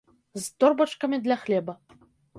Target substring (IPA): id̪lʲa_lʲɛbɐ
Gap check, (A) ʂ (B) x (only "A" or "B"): B